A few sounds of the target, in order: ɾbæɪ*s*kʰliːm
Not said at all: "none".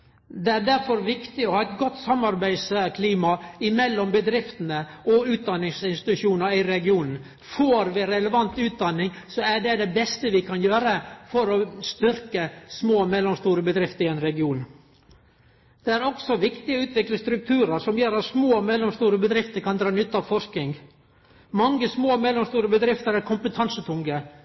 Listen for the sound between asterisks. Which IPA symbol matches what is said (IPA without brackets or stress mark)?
s